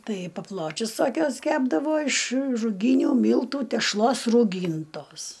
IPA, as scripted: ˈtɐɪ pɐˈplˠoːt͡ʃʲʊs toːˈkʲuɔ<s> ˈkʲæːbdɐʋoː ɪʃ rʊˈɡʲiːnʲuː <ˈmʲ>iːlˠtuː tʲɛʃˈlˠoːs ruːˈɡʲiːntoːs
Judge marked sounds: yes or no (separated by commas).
yes, yes